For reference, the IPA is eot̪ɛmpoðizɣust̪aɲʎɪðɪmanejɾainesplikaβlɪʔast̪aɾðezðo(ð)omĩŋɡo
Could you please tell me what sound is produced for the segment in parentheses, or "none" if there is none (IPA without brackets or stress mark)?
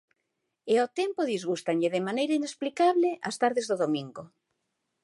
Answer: ð